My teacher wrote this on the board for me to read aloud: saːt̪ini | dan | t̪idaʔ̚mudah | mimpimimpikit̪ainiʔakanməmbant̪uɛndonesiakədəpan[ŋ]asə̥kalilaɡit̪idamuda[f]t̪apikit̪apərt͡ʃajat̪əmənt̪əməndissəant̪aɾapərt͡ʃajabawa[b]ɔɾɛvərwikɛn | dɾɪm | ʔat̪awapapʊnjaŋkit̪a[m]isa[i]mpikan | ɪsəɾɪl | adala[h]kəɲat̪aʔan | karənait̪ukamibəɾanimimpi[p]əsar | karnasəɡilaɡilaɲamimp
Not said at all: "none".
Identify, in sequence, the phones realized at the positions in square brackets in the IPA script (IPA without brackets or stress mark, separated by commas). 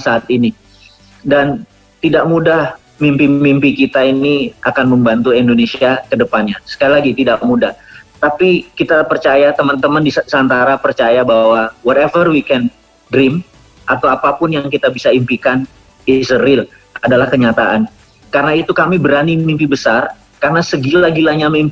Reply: ɲ, h, w, b, i, h, b